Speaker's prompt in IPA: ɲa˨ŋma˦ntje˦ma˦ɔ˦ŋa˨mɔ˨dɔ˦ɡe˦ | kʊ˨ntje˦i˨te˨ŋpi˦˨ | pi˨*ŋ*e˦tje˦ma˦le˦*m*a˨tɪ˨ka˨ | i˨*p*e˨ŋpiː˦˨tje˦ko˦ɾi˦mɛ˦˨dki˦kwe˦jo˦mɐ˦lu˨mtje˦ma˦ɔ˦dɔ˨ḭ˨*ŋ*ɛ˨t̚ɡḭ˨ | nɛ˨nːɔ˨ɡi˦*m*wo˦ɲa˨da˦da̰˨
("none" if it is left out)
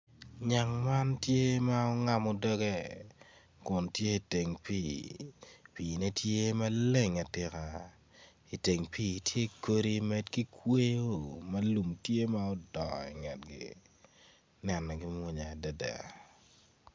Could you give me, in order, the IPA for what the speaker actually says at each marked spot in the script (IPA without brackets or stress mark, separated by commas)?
n, ŋ, t, ŋ, m